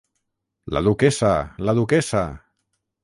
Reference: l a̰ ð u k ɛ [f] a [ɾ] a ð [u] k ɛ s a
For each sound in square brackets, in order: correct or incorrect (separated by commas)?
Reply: incorrect, incorrect, correct